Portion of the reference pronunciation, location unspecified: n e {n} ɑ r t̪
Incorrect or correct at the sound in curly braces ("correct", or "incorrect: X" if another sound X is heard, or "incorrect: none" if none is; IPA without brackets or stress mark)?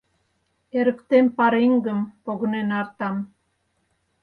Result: correct